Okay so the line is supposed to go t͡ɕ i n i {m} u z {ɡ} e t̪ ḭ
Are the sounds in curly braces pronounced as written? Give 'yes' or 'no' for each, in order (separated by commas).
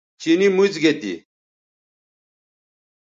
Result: yes, yes